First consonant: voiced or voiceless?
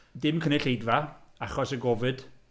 voiced